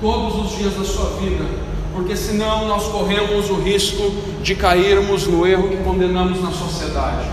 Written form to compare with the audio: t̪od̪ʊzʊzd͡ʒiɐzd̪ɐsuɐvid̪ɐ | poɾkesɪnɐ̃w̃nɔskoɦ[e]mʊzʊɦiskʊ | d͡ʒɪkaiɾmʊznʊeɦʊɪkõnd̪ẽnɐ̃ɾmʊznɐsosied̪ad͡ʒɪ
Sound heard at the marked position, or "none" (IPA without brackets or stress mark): ẽ